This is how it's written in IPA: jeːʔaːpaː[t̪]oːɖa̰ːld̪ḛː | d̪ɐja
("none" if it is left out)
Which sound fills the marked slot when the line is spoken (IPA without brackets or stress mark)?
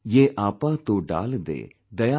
t̪